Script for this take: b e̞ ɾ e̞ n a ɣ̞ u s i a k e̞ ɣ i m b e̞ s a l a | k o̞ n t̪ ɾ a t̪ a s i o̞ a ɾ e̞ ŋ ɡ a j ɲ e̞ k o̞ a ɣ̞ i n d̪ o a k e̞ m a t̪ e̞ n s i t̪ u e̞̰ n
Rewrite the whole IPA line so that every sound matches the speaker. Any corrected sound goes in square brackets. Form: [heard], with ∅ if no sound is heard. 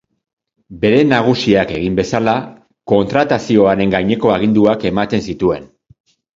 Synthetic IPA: b e̞ ɾ e̞ n a ɣ̞ u s i a k e̞ ɣ i m b e̞ s a l a | k o̞ n t̪ ɾ a t̪ a s i o̞ a ɾ e̞ ŋ ɡ a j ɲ e̞ k o̞ a ɣ̞ i n d̪ [u] a k e̞ m a t̪ e̞ n s i t̪ u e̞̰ n

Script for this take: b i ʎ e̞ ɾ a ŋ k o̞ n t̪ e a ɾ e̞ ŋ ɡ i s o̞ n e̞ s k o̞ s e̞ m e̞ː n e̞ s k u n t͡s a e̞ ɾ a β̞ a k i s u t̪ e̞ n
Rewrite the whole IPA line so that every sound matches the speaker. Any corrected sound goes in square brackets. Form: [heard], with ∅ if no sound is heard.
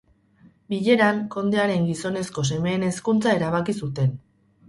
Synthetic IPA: b i ʎ e̞ ɾ a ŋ k o̞ n [d̪] e a ɾ e̞ ŋ ɡ i s o̞ n e̞ s k o̞ s e̞ m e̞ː n e̞ s k u n t͡s a e̞ ɾ a β̞ a k i s u t̪ e̞ n

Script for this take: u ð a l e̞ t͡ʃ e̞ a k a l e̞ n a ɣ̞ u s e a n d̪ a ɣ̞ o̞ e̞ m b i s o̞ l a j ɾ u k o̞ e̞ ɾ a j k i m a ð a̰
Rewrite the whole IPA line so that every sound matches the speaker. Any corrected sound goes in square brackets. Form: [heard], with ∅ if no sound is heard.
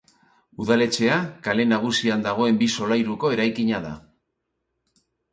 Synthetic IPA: u ð a l e̞ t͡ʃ e̞ a k a l e̞ n a ɣ̞ u s [i] a n d̪ a ɣ̞ o̞ e̞ m b i s o̞ l a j ɾ u k o̞ e̞ ɾ a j k i [ɲ] a ð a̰

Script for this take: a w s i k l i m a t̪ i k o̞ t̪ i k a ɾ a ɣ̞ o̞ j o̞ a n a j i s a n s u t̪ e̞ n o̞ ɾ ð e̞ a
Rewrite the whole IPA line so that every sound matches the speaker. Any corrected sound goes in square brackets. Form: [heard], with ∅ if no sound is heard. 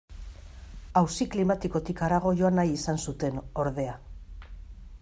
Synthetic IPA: a w s i k l i m a t̪ i k o̞ t̪ i k a ɾ a ɣ̞ o̞ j o̞ a n a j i s a n s u t̪ e̞ n o̞ ɾ ð e̞ a

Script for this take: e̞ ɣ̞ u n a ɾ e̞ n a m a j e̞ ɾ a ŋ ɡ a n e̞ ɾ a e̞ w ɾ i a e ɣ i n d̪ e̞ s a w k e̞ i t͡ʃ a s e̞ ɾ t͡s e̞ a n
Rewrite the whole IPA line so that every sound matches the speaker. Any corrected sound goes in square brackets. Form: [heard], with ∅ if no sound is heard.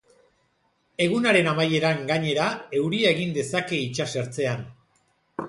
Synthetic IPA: e̞ ɣ̞ u n a ɾ e̞ n a m a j e̞ ɾ a ŋ ɡ a [ɲ] e̞ ɾ a e̞ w ɾ i a e ɣ i n d̪ e̞ s a [∅] k e̞ i t͡ʃ a s e̞ ɾ t͡s e̞ a n

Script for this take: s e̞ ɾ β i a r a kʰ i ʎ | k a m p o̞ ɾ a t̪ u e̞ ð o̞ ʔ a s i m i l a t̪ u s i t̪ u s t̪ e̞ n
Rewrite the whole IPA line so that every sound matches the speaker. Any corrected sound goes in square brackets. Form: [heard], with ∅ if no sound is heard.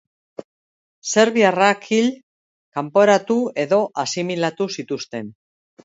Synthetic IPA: s e̞ ɾ β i a r a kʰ i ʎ | k a m p o̞ ɾ a t̪ u e̞ ð o̞ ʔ a s i m i l a t̪ u s i t̪ u s t̪ e̞ n

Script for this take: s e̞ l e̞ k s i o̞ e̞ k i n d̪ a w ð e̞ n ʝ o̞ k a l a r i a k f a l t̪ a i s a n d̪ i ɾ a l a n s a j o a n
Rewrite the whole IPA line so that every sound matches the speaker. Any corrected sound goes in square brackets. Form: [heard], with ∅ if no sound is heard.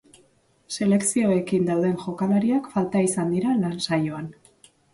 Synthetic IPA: s e̞ l e̞ k s i o̞ e̞ k i n d̪ a w ð e̞ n ʝ o̞ k a l a [ɾ] i a k f a l t̪ a i s a n d̪ i ɾ a l a n s a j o a n

